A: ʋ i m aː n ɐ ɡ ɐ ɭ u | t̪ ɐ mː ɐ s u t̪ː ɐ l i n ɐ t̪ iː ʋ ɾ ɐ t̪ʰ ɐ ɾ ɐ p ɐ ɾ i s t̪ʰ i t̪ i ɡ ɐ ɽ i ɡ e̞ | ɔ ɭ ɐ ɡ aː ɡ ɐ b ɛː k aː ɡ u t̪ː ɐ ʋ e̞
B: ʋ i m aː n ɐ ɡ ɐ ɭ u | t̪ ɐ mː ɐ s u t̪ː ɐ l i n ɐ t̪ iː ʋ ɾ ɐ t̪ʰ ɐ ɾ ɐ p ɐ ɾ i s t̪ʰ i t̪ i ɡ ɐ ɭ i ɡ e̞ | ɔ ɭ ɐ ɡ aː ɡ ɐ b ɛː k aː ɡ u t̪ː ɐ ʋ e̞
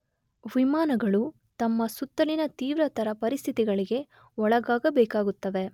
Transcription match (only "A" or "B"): B